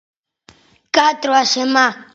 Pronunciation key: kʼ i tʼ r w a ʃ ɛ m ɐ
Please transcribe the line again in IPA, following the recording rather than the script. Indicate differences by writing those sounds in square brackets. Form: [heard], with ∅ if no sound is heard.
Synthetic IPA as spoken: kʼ [a] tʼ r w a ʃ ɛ m [a]